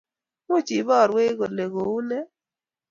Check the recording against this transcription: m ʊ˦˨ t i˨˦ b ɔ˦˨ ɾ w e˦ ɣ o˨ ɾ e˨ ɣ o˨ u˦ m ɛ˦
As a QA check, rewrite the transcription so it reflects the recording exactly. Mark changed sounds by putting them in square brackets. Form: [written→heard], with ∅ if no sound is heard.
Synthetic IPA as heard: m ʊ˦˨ [t→t͡ʃ] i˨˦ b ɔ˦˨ ɾ w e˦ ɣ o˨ [ɾ→l] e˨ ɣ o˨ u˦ [m→n] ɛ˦